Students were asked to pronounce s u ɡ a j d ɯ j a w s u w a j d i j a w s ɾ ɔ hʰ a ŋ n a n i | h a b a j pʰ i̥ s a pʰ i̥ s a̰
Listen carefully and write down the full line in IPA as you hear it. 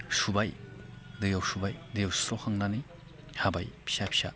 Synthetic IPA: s u b a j d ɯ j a w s u b a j d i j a w s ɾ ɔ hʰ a ŋ n a n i | h a b a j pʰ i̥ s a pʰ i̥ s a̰